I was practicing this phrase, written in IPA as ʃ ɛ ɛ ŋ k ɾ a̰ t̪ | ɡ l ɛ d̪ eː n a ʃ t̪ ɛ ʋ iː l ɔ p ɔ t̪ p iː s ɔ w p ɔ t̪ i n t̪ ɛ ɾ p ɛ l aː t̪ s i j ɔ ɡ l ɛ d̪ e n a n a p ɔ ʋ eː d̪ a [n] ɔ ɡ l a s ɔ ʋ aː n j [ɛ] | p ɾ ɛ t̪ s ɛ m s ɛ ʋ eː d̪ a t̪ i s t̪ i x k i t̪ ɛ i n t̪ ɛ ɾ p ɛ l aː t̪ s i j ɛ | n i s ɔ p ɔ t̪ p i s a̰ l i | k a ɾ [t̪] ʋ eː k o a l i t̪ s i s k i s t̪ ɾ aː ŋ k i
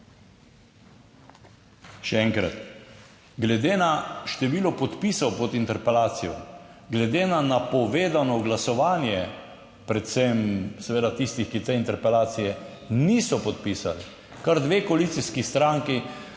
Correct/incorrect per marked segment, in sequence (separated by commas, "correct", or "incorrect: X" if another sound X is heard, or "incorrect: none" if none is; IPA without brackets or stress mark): correct, correct, incorrect: d̪